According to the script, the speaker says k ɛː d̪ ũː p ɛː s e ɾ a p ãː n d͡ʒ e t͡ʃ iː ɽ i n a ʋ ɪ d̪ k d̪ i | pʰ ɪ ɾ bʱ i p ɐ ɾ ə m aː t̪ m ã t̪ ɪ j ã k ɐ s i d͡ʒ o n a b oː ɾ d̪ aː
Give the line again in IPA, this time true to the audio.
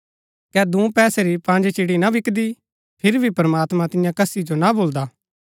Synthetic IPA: k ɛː d̪ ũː p ɛː s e ɾ i p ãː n d͡ʒ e t͡ʃ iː ɽ i n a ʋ ɪ k d̪ i | pʰ ɪ ɾ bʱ i p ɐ ɾ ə m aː t̪ m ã t̪ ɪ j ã k ɐ s i d͡ʒ o n a b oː l d̪ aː